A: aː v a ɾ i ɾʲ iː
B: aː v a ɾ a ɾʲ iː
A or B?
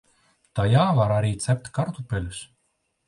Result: B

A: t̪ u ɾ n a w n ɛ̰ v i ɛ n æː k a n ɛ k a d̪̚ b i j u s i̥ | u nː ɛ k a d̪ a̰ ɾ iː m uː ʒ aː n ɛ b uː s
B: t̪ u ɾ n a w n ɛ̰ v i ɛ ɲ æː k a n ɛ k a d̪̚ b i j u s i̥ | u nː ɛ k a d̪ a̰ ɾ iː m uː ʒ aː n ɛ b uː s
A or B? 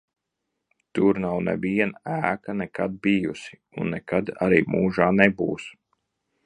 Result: A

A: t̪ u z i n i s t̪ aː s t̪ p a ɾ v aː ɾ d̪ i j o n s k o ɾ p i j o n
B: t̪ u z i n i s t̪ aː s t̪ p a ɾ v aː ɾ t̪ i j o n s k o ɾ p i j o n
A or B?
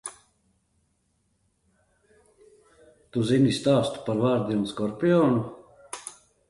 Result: A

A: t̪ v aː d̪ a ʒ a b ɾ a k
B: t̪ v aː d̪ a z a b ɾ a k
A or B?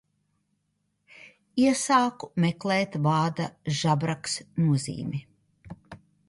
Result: A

